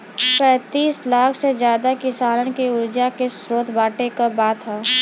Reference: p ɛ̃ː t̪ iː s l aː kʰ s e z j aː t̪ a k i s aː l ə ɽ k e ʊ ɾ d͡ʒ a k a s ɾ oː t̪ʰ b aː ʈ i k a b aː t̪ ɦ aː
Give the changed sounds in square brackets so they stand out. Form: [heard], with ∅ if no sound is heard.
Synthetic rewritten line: p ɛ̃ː t̪ iː s l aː kʰ s e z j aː [d̪] a k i s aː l ə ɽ k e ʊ ɾ d͡ʒ a k [e] s ɾ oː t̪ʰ b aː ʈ [e] k a b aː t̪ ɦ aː